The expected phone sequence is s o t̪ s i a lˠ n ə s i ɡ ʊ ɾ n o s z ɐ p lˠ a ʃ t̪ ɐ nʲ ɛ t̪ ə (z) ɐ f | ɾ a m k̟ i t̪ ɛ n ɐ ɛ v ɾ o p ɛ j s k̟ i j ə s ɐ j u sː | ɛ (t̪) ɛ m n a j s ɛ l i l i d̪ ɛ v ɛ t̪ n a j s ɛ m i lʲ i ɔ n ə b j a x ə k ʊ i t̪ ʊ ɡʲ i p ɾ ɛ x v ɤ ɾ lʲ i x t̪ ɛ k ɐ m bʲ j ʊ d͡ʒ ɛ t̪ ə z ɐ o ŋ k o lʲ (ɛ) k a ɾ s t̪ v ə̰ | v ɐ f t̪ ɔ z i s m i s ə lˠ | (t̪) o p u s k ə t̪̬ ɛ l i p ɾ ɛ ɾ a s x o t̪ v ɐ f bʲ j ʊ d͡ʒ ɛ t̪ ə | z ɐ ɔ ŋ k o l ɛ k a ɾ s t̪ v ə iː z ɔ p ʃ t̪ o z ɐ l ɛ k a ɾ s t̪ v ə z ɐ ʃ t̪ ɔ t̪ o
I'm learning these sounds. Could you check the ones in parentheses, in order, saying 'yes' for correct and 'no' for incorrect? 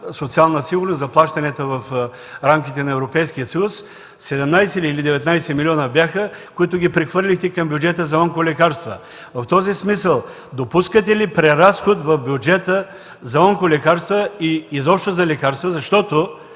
no, no, yes, no

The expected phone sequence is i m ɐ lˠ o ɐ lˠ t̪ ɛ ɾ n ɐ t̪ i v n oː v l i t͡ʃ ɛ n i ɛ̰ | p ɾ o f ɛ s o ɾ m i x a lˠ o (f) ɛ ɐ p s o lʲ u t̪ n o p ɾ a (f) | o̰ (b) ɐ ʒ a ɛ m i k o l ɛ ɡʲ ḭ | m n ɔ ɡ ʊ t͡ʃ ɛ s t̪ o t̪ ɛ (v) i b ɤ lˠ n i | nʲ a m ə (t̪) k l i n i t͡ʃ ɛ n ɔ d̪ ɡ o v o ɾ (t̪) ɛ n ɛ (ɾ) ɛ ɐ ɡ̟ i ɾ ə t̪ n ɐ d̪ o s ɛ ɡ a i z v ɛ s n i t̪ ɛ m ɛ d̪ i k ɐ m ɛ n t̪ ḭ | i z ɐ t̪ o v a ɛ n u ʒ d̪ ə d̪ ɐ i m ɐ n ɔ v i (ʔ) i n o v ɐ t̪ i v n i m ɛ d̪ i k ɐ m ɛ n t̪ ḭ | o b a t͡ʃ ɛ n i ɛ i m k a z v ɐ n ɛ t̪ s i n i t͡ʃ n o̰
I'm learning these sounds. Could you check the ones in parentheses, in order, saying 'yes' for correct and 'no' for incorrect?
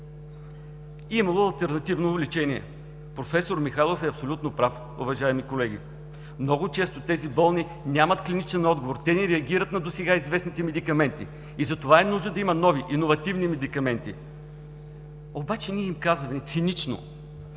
yes, yes, no, no, yes, yes, yes, yes

